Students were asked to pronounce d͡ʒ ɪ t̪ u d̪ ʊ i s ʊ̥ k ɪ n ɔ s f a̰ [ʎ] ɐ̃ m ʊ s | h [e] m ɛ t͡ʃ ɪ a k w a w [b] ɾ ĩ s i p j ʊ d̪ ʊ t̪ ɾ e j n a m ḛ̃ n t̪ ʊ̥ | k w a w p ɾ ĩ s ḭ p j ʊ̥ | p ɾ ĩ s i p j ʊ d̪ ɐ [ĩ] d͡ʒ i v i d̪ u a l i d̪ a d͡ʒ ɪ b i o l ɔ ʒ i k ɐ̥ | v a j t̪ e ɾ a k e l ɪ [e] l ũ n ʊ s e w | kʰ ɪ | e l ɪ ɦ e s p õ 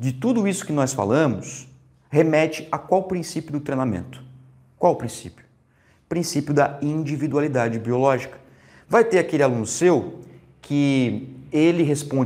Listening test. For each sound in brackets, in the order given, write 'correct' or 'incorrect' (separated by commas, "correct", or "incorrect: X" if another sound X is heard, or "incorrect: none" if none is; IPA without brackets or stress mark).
incorrect: l, correct, incorrect: p, correct, incorrect: a